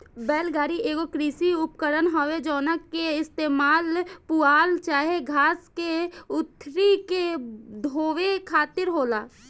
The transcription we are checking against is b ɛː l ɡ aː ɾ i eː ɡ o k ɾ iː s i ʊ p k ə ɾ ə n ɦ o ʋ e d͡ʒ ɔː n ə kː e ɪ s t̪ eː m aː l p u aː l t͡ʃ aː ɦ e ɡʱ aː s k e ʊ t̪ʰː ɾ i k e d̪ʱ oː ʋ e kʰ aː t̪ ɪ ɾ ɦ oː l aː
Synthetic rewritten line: b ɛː l ɡ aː ɾ i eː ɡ o k ɾ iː s i ʊ p k ə ɾ ə n ɦ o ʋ e d͡ʒ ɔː n ə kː e ɪ s t̪ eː m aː l p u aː l t͡ʃ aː ɦ e ɡʱ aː s k e ʊ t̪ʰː ɾ i k e d̪ʱ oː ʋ e kʰ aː t̪ ɪ ɾ ɦ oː l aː